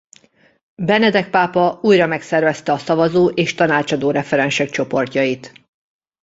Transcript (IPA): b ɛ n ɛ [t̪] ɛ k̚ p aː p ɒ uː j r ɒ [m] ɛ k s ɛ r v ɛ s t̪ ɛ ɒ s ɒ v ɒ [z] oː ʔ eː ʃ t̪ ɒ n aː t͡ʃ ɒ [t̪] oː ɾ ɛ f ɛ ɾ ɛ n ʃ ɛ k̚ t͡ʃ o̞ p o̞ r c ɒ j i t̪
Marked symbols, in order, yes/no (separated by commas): no, yes, yes, no